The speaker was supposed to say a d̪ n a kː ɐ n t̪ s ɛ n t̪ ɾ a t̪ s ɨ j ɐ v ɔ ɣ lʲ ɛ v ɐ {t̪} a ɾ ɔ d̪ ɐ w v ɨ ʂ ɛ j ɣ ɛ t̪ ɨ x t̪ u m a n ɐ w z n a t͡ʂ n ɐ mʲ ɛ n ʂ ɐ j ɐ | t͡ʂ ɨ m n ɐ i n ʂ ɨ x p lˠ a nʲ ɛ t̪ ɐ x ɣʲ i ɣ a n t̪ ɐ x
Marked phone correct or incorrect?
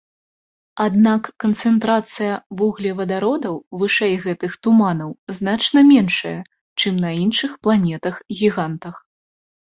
incorrect